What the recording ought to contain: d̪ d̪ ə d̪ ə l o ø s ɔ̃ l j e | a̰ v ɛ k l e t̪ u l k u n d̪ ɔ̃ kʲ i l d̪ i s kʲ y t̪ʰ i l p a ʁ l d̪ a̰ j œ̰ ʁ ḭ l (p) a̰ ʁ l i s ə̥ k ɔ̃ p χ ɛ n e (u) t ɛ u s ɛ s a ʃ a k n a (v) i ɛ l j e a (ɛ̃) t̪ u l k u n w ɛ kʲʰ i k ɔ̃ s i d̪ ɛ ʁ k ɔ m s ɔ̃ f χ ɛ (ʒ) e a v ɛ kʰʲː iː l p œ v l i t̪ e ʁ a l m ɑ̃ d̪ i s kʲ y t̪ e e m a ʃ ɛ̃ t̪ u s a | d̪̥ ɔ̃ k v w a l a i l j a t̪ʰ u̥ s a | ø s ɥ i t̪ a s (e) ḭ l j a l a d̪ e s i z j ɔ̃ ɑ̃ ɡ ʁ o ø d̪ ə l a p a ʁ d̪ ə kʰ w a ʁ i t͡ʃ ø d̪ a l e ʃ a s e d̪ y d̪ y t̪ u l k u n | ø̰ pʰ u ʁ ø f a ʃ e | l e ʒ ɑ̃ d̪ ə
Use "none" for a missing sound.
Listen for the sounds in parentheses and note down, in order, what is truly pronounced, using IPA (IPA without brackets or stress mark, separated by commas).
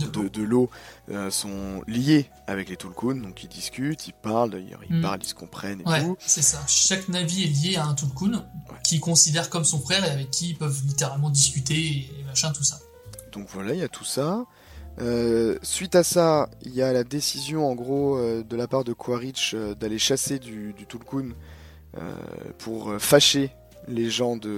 p, w, v, ɛ̃, ʁ, a